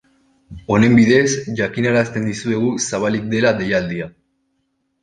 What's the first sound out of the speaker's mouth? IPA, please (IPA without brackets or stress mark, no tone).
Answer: o̞